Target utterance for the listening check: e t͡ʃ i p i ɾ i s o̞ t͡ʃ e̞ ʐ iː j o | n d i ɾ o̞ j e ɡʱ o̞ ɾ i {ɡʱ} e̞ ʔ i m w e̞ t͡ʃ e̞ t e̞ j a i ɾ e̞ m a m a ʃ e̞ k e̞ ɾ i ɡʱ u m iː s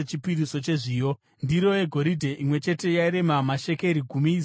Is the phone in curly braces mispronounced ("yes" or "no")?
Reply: yes